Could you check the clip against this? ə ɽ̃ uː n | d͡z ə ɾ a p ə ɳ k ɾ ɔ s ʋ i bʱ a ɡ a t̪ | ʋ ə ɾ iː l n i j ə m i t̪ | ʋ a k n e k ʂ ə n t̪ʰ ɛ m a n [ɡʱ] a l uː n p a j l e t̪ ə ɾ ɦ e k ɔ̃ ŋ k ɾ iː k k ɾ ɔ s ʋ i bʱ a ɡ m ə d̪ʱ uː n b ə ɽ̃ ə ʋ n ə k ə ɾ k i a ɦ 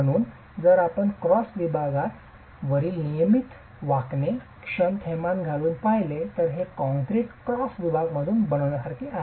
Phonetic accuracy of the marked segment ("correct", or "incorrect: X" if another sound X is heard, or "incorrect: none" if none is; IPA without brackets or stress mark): correct